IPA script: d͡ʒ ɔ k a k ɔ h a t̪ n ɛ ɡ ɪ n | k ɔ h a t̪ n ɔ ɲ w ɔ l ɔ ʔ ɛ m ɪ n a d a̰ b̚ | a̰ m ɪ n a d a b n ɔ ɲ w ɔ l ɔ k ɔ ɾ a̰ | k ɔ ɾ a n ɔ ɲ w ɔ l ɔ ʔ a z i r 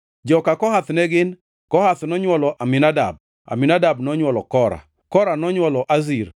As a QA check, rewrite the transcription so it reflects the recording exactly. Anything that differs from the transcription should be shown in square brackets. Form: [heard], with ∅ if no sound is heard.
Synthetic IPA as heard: d͡ʒ ɔ k a k ɔ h a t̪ n ɛ ɡ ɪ n | k ɔ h a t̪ n ɔ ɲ w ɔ l ɔ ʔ [a] m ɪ n a d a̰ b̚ | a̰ m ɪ n a d a b n ɔ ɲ w ɔ l ɔ k ɔ ɾ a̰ | k ɔ ɾ a n ɔ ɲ w ɔ l ɔ ʔ a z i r

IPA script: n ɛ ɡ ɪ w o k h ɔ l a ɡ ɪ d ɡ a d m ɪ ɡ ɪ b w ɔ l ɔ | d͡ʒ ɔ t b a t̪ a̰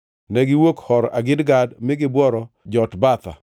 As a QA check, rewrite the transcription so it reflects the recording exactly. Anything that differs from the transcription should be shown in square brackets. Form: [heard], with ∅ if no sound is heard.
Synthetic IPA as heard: n ɛ ɡ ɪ w o k h ɔ [ɾ] a ɡ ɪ d ɡ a d m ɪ ɡ ɪ b w ɔ [ɾ] ɔ | d͡ʒ ɔ t b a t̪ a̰

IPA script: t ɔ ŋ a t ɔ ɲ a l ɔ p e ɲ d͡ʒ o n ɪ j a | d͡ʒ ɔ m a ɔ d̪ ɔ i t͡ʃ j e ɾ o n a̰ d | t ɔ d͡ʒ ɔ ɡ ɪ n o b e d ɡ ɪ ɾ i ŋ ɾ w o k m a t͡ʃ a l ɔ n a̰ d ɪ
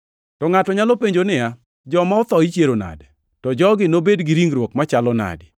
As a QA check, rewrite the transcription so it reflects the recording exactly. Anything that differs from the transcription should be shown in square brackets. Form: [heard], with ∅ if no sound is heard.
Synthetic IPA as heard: t ɔ ŋ a t ɔ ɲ a l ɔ p e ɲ d͡ʒ o n ɪ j a | d͡ʒ ɔ m a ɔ [t̪] ɔ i t͡ʃ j e ɾ o n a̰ d | t ɔ d͡ʒ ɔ ɡ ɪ n o b e d ɡ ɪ ɾ i ŋ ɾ w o k m a t͡ʃ a l ɔ n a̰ d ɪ

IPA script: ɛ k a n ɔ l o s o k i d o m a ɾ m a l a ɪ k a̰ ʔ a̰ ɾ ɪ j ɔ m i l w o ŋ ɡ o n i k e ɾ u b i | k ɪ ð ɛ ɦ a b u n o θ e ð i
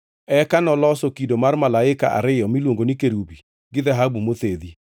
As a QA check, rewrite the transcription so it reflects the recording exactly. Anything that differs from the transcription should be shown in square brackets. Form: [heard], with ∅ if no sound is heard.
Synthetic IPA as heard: ɛ k a n ɔ l [ɔ] s o k i d o m a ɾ m a l a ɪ k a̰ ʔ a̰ ɾ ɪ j ɔ m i l w o ŋ ɡ o n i k e ɾ u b i | [ɡ] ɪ ð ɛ ɦ a b u [m] o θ e ð i

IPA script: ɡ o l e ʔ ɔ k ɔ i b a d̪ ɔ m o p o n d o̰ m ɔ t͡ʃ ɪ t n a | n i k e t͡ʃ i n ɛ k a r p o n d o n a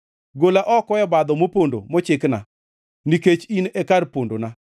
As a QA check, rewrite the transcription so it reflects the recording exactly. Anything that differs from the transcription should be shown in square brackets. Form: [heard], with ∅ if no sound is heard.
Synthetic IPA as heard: ɡ o l [a] ʔ ɔ k ɔ [ɛ] b a d̪ ɔ m o p o n d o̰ m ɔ t͡ʃ ɪ [k] n a | n i k e t͡ʃ i n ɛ k a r p o n d o n a

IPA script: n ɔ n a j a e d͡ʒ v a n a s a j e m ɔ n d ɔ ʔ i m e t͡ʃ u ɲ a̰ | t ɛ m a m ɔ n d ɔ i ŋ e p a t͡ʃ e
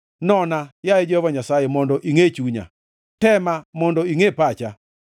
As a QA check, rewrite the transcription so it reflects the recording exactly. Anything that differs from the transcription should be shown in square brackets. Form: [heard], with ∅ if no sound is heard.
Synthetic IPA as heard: n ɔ n a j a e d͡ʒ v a [ɲ] a s a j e m ɔ n d ɔ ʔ i [ŋ] e t͡ʃ u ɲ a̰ | t ɛ m a m ɔ n d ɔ i ŋ e p a t͡ʃ [a]

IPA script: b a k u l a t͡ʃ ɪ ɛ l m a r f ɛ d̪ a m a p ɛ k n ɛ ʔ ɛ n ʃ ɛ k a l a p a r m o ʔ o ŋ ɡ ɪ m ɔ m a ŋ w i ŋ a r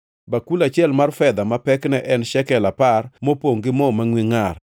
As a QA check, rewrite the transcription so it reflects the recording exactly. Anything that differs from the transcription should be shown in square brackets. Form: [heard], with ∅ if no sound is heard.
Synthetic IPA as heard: b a k u l a t͡ʃ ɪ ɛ l m a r f ɛ d̪ a m a p ɛ k n ɛ ʔ ɛ n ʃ ɛ k [ɛ] l a p a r m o [p] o ŋ ɡ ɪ m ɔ m a ŋ w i ŋ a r

